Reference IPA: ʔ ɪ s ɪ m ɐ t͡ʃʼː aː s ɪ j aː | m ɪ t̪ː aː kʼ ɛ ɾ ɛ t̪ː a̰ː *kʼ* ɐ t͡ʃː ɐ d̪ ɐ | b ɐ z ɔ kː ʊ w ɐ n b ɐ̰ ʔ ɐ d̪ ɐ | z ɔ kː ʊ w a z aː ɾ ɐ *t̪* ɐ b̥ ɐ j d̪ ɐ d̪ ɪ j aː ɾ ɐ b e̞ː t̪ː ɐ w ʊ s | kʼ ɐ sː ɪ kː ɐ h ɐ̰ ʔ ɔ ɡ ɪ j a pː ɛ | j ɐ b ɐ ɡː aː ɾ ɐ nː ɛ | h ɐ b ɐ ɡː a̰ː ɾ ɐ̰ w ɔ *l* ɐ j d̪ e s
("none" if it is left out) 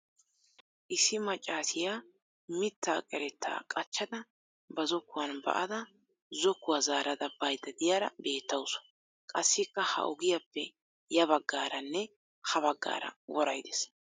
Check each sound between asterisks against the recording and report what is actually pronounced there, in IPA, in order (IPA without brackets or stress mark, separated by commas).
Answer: kʼ, d̪, ɾ